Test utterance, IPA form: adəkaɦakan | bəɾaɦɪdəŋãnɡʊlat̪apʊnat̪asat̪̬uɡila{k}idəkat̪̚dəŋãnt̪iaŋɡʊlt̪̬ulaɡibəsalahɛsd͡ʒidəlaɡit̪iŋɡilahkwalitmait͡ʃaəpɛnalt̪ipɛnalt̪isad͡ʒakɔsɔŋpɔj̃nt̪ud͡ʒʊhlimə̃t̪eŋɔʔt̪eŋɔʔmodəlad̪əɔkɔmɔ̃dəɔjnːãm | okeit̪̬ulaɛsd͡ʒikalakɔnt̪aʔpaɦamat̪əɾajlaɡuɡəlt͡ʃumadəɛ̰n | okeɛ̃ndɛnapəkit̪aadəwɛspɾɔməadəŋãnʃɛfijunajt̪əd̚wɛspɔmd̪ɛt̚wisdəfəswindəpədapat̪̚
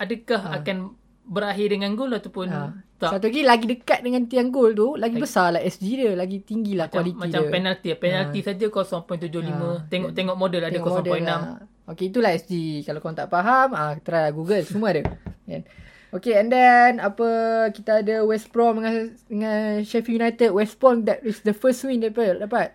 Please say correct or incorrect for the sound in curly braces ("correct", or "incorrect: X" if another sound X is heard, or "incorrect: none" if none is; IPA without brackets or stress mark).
incorrect: ɡ